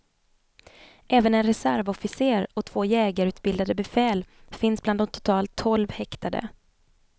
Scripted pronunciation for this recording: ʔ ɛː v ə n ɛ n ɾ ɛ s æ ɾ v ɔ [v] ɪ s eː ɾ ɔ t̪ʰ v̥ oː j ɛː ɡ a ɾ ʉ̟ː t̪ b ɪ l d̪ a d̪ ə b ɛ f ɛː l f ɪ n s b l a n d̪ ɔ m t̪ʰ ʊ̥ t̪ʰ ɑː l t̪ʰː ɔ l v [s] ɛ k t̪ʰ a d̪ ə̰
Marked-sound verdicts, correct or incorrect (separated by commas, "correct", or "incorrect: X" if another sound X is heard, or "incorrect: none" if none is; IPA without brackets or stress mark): incorrect: f, incorrect: h